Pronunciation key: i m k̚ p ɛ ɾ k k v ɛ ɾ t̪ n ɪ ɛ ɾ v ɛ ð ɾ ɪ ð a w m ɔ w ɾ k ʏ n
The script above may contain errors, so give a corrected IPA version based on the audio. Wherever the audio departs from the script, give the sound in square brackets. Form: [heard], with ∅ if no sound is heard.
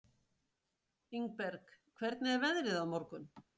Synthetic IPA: i [ŋ] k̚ p ɛ ɾ k [kʰ] v ɛ ɾ t̪ n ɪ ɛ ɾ v ɛ ð ɾ ɪ ð a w m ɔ [∅] ɾ k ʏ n